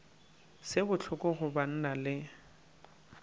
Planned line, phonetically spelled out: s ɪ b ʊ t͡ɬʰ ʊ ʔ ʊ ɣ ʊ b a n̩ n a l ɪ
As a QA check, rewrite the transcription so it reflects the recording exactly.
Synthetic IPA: s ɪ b ʊ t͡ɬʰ ʊ k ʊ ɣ ʊ b a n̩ n a l ɪ